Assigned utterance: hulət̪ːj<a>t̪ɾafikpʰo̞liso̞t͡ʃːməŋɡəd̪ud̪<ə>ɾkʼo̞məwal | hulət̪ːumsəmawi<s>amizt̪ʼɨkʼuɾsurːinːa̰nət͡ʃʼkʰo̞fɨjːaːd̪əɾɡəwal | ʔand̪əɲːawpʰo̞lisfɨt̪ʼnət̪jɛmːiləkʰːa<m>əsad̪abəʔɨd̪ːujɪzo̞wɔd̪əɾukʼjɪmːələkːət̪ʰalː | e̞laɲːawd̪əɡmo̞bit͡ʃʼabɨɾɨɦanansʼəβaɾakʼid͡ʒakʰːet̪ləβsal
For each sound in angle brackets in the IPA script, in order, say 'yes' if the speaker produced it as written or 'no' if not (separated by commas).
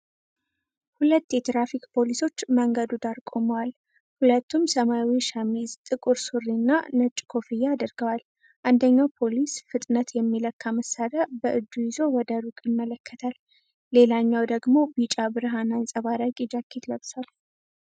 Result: no, no, no, yes